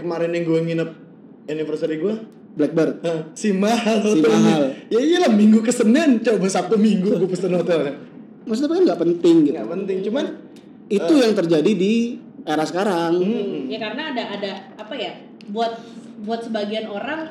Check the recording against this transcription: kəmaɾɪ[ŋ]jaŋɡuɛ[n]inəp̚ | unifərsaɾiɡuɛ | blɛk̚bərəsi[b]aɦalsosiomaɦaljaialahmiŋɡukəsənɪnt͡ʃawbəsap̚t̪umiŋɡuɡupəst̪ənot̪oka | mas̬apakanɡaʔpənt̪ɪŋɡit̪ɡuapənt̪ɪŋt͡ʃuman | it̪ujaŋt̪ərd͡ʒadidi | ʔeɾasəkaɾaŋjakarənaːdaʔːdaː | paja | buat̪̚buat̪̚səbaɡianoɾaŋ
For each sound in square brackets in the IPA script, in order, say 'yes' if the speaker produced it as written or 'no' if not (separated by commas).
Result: no, no, no